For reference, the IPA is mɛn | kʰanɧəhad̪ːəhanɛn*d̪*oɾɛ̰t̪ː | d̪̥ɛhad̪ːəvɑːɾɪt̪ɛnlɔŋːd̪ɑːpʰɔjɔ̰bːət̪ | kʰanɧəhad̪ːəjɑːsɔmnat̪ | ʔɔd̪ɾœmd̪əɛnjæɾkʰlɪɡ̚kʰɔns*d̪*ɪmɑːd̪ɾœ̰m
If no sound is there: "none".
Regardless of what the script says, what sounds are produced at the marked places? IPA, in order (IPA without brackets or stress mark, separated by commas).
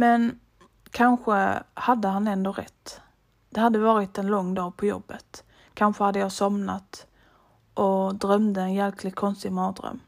d̪, t̪